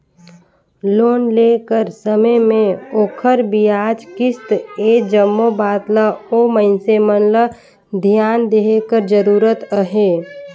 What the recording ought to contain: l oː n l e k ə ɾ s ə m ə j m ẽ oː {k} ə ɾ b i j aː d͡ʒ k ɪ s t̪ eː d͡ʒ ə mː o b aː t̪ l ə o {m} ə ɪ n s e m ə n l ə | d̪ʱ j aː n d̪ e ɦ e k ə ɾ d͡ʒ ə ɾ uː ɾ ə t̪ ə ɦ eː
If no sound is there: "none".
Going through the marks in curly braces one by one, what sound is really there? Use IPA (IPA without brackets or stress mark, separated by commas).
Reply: kʰ, m